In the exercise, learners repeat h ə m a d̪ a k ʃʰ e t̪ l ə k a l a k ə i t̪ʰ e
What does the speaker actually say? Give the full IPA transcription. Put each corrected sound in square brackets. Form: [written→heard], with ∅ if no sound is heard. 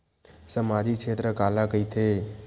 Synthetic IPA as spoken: [h→s] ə m a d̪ [a→i] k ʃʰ e t̪ [l→ɾ] ə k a l a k ə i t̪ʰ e

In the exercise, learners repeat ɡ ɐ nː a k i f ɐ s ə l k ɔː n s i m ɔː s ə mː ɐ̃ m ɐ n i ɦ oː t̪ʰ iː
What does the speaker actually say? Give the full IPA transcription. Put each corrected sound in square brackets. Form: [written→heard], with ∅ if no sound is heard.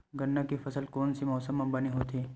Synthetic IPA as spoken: ɡ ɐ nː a k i f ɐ s ə l k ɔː n s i m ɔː s ə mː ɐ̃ [m→b] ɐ n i ɦ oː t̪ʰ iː

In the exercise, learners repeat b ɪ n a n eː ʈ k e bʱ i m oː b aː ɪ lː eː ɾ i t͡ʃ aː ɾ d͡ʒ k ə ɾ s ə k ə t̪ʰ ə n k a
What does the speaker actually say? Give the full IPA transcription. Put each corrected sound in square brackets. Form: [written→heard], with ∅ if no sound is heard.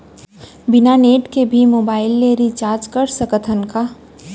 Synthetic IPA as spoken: b ɪ n a n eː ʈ k e bʱ i m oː b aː ɪ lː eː ɾ i t͡ʃ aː ɾ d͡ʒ k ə ɾ s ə k ə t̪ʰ ə n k a

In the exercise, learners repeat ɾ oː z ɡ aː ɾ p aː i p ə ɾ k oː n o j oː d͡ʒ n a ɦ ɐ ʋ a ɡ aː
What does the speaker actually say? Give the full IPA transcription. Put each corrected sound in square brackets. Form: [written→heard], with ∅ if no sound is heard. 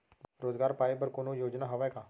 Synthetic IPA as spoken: ɾ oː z ɡ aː ɾ p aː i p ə ɾ k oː n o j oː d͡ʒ n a ɦ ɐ ʋ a [ɡ→k] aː

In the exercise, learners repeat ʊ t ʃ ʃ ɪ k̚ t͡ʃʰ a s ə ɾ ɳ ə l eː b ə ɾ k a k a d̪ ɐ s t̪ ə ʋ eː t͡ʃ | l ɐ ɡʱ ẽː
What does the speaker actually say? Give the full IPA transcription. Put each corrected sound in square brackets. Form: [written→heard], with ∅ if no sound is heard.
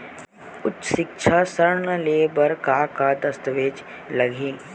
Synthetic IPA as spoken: ʊ t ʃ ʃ ɪ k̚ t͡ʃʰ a s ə ɾ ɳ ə l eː b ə ɾ k a k a d̪ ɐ s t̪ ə ʋ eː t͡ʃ | l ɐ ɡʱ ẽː

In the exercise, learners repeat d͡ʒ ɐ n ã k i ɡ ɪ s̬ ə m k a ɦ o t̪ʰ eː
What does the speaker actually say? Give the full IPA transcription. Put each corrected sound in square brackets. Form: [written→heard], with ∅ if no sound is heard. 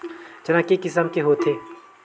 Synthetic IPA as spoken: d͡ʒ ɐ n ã k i [ɡ→k] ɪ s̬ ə m k [a→e] ɦ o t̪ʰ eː

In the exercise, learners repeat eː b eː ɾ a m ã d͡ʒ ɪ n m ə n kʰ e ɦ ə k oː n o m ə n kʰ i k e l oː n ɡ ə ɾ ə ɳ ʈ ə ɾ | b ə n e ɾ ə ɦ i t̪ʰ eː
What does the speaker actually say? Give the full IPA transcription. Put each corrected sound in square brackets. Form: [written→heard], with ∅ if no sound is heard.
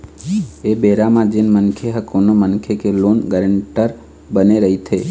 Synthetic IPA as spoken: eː b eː ɾ a m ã d͡ʒ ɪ n m ə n kʰ e ɦ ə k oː n o m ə n kʰ [i→e] k e l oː n ɡ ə ɾ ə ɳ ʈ ə ɾ | b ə n e ɾ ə ɦ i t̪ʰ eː

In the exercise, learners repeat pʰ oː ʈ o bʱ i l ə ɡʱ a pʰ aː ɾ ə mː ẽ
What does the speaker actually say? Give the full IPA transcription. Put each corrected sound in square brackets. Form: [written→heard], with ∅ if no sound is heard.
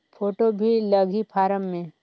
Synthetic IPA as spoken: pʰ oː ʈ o bʱ i l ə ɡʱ [a→i] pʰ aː ɾ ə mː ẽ

